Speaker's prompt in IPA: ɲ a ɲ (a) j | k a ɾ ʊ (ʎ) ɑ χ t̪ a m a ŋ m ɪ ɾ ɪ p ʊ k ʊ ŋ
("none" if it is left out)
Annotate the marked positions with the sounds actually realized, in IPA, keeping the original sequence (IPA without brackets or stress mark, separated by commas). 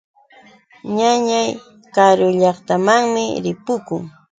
a, ʎ